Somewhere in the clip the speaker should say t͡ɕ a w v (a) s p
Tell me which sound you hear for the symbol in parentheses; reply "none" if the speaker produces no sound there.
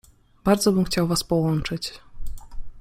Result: a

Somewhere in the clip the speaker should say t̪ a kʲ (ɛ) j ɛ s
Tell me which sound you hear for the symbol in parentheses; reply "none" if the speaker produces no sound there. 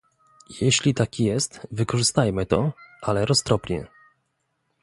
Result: i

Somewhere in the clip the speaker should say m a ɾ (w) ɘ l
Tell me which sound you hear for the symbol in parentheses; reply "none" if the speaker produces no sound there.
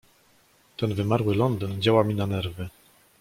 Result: w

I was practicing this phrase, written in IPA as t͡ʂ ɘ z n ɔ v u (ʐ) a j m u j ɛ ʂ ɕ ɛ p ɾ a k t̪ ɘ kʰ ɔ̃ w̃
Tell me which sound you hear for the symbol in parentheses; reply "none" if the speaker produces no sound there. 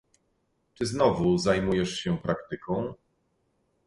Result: z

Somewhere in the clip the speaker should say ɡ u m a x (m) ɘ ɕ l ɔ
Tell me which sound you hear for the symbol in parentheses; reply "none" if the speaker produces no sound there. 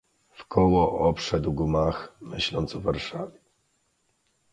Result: m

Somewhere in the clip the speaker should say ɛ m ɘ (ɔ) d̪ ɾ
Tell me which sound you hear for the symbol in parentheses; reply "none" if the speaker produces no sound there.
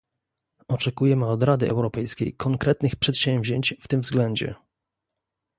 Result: ɔ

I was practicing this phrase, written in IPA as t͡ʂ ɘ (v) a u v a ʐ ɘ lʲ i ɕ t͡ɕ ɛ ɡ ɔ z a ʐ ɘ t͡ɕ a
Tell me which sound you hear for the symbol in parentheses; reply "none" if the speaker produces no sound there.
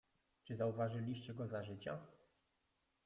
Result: z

